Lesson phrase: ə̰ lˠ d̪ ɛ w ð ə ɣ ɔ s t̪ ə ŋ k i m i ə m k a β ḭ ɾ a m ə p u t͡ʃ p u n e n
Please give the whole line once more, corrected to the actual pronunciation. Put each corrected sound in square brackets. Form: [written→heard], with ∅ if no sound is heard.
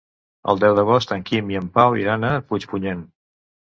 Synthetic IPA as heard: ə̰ lˠ d̪ ɛ w ð ə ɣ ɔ s t̪ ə ŋ k i m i ə m [k→p] a [β→w] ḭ ɾ a [m→n] ə p u t͡ʃ p u [n→ɲ] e n